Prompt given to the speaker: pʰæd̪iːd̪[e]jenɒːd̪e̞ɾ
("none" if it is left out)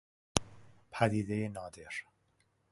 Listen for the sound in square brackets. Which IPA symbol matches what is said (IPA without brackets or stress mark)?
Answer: e